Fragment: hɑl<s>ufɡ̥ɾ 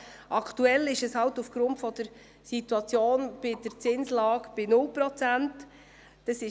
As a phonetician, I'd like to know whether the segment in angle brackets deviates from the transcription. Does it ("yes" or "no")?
yes